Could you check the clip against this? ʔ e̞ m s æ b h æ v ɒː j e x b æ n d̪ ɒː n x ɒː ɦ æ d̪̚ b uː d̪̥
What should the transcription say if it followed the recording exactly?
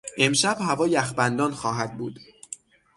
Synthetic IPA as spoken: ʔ e̞ m ʃ æ b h æ v ɒː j æ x b æ n d̪ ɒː n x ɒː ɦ æ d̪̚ b uː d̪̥